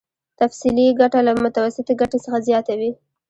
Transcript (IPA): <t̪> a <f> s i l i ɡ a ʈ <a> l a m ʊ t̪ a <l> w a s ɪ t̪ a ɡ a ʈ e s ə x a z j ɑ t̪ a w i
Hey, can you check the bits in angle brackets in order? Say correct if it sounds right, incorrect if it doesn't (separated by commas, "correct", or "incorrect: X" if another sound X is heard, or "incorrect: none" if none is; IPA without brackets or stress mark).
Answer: correct, correct, correct, incorrect: none